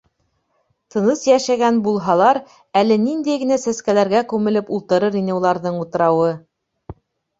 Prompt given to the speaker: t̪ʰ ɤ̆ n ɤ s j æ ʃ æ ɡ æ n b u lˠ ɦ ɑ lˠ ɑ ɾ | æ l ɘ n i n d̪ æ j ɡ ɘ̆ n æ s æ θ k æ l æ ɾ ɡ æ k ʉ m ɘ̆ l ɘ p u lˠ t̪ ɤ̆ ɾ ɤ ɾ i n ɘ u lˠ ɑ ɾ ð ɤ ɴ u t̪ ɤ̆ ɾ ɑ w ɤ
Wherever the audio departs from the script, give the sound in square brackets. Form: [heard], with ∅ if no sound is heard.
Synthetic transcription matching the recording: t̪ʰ ɤ̆ n ɤ s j æ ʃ æ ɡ æ n b u lˠ ɦ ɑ lˠ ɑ ɾ | æ l ɘ n i n d̪ æ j ɡ ɘ̆ n æ s æ [s] k æ l æ ɾ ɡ æ k ʉ m ɘ̆ l ɘ p u lˠ t̪ ɤ̆ ɾ ɤ ɾ i n ɘ u lˠ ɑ ɾ ð ɤ ɴ u t̪ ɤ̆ ɾ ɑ w ɤ